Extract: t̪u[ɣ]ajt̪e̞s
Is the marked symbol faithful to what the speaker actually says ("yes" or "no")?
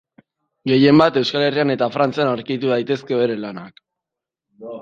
no